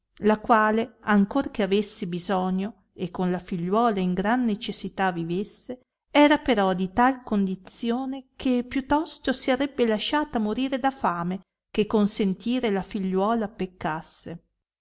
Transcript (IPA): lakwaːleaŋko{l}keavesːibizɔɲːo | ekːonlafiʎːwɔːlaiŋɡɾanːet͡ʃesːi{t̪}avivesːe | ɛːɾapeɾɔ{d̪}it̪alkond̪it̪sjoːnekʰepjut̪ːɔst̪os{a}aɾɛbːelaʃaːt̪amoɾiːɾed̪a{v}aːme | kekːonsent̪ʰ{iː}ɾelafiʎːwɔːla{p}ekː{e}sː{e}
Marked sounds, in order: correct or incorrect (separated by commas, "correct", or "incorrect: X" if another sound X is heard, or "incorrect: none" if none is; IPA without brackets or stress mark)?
incorrect: r, correct, correct, incorrect: i, incorrect: f, correct, correct, incorrect: a, correct